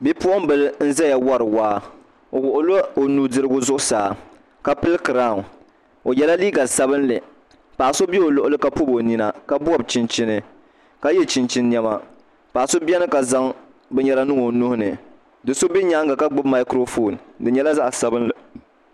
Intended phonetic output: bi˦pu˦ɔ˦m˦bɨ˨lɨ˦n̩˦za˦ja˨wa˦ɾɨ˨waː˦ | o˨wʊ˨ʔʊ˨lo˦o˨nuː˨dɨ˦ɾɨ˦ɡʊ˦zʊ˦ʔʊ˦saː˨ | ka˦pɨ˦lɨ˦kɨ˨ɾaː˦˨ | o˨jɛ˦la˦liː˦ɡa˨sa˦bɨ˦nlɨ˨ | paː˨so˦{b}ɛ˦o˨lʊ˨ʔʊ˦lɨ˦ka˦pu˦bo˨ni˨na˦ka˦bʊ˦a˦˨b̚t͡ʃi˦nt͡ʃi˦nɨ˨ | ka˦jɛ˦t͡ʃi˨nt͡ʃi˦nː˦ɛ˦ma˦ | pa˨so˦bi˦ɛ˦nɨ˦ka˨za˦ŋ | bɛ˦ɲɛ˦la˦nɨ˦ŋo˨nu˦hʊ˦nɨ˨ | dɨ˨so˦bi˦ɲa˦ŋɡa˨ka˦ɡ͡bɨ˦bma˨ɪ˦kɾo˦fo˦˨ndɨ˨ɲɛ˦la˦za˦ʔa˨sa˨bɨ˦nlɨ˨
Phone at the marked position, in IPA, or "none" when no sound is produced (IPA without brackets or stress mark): b